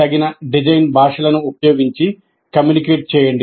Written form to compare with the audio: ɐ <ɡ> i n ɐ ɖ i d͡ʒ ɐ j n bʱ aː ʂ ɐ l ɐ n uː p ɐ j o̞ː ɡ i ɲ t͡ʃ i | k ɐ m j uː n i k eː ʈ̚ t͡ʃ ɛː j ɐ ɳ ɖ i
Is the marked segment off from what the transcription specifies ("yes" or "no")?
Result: no